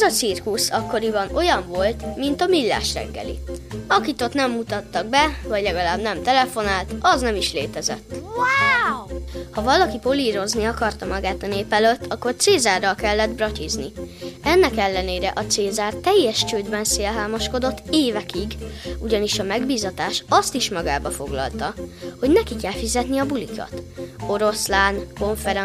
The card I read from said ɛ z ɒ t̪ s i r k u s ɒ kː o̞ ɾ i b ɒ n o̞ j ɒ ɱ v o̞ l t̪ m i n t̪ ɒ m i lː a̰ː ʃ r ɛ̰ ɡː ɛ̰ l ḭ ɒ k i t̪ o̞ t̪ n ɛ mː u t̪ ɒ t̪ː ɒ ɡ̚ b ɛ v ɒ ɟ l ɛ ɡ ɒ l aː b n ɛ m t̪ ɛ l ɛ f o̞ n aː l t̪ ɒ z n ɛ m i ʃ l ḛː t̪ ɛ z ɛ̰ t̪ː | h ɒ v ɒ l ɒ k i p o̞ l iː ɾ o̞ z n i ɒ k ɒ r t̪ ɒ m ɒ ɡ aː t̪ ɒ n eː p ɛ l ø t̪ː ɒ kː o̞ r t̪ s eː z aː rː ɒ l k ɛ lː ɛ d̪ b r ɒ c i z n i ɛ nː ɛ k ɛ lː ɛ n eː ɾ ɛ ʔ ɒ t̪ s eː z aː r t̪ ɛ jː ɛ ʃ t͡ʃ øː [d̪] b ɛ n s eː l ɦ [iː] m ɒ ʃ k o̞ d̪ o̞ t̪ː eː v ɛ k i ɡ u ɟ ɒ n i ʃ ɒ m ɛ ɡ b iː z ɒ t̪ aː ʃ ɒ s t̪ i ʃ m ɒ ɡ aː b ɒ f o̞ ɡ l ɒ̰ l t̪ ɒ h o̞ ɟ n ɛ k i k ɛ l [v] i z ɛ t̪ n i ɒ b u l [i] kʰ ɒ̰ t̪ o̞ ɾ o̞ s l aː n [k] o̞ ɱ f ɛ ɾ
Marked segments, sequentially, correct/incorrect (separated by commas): correct, incorrect, incorrect, correct, correct